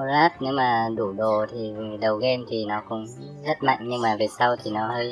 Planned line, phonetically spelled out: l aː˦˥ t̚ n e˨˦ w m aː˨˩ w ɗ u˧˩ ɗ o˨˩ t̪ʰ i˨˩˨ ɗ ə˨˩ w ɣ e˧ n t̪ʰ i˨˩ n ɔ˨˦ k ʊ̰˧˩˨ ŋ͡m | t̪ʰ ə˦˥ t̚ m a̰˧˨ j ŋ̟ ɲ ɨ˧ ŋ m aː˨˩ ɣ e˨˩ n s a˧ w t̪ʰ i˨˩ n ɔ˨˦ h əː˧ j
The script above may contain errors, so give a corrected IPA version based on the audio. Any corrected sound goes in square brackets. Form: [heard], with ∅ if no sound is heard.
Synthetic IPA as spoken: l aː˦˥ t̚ n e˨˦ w m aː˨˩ [∅] ɗ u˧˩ ɗ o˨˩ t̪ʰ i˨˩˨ ɗ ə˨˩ w ɣ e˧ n t̪ʰ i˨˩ n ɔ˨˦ k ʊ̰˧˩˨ ŋ͡m | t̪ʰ ə˦˥ t̚ m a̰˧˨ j ŋ̟ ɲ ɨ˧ ŋ m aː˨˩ [v] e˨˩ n s a˧ w t̪ʰ i˨˩ n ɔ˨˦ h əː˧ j